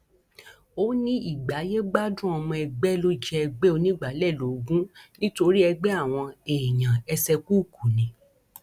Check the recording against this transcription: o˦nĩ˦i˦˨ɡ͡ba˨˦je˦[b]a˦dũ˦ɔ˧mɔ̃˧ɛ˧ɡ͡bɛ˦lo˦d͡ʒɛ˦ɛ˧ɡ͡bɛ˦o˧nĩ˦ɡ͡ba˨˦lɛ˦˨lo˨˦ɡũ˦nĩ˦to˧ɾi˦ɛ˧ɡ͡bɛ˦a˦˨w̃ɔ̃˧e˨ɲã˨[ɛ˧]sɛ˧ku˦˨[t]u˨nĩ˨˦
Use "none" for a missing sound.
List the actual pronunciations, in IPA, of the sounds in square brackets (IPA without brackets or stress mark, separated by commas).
ɡ͡b, ɛ˧, k